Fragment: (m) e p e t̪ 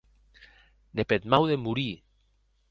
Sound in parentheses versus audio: incorrect: n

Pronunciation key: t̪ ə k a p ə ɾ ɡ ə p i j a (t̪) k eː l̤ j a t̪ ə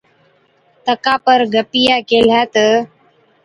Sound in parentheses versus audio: incorrect: none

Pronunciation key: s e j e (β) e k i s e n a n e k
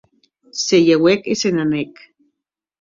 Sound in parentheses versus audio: incorrect: w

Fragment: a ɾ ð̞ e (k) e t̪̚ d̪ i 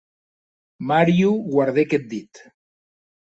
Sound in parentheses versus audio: correct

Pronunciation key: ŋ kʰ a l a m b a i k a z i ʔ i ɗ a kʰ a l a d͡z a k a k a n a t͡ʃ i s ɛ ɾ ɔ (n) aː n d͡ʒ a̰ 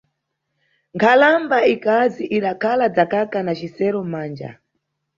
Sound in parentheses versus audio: incorrect: m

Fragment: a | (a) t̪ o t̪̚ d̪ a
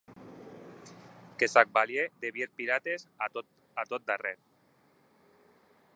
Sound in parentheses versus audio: correct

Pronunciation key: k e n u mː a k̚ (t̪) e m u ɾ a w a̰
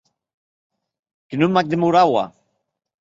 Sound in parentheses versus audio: incorrect: d̪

